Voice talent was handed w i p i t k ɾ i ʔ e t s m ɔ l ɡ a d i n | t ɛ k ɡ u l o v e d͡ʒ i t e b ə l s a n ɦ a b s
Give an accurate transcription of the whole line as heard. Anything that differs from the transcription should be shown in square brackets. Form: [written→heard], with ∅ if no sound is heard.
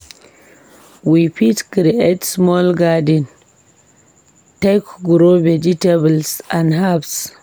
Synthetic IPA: w i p i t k ɾ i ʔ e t s m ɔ l ɡ a d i n | t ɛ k ɡ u [l→ɾ] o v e d͡ʒ i t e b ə l s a n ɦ a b s